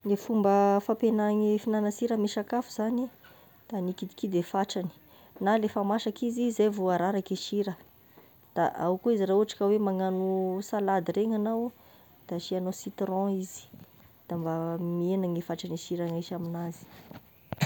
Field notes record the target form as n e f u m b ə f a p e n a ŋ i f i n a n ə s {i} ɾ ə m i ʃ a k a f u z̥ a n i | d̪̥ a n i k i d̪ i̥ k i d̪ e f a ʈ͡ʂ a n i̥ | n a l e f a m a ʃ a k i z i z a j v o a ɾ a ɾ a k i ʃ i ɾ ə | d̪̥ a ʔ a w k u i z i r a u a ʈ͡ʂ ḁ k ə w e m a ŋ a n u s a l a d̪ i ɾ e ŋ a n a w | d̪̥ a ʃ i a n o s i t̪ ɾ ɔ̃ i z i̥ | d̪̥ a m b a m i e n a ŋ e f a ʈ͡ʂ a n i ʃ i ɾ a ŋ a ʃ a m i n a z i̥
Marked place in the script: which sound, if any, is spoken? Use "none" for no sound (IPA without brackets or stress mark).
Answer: i